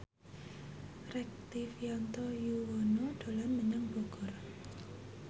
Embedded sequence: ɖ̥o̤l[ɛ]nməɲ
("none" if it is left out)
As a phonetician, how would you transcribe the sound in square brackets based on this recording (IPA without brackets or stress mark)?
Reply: a